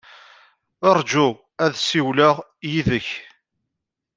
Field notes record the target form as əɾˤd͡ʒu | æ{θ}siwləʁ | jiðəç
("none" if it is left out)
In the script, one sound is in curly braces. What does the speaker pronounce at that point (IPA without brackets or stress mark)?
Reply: ð